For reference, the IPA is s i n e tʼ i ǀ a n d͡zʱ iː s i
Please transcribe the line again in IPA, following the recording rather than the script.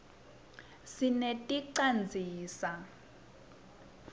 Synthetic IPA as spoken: s i n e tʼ i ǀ a n d͡zʱ iː s a